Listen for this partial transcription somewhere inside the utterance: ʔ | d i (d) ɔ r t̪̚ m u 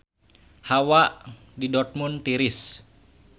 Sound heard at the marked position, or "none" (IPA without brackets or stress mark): d